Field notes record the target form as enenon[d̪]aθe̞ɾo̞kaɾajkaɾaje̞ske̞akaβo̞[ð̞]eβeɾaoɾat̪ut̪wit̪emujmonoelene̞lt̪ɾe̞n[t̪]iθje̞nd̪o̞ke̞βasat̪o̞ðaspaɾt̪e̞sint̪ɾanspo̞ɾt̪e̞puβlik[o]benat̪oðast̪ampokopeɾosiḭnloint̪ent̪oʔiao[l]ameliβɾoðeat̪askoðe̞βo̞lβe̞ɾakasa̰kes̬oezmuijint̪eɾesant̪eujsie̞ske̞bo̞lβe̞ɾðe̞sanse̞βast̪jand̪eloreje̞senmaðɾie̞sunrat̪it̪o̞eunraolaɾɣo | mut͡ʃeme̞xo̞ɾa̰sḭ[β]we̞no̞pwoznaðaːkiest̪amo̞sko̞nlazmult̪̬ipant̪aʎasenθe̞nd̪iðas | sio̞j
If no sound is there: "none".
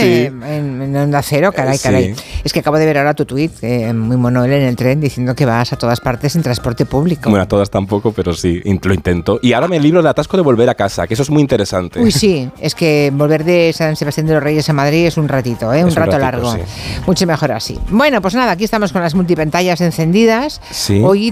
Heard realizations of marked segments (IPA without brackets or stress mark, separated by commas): d̪, ð̞, d̪, o, ɾ, b